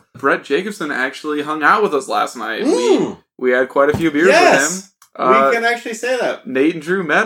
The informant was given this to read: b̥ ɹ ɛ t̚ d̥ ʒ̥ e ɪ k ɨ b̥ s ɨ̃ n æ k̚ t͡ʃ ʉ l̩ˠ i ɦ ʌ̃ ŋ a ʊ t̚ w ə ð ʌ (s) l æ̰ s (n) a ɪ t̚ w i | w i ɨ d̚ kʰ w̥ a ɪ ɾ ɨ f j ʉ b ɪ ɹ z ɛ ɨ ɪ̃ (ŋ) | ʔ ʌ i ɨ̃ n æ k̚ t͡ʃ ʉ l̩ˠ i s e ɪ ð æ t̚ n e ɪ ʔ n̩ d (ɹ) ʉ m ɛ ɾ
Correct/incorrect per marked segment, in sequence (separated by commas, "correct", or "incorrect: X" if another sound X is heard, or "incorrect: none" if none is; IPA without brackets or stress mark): correct, correct, incorrect: m, correct